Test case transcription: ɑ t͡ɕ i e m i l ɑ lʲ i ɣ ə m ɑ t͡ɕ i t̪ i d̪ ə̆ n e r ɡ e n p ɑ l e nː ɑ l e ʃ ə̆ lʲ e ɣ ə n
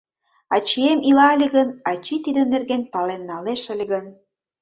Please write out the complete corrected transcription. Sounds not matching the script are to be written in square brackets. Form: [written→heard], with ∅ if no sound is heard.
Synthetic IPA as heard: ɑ t͡ɕ i e m i l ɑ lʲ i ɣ ə [m→n] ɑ t͡ɕ i t̪ i d̪ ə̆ n e r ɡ e n p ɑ l e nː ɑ l e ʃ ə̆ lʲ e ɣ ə n